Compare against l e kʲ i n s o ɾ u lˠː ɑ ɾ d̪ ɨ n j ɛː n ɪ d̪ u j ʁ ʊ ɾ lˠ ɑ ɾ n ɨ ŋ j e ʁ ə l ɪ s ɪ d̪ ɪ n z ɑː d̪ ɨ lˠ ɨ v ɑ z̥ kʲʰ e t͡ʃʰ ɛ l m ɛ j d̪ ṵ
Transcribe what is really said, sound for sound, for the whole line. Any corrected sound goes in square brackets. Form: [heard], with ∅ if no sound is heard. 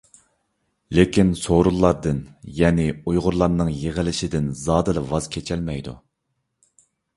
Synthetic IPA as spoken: l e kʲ i n s o ɾ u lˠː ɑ ɾ d̪ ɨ n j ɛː n ɪ [∅] u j ʁ ʊ ɾ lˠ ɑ ɾ n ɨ ŋ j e ʁ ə l ɪ [ʃ] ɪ d̪ ɪ n z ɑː d̪ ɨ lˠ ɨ v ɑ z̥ kʲʰ e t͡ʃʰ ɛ l m ɛ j d̪ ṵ